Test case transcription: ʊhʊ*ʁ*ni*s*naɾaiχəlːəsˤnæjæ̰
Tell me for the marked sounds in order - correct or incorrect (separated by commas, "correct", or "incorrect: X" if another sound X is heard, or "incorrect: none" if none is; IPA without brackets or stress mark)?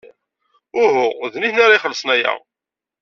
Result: incorrect: ð, incorrect: θ